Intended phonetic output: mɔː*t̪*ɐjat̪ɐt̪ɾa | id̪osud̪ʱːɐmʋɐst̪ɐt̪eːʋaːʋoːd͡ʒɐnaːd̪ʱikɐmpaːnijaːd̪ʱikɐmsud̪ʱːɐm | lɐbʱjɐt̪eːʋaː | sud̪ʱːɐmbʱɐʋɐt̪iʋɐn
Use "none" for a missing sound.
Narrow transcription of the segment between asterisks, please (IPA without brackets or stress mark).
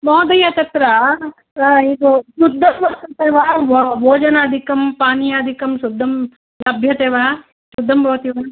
d̪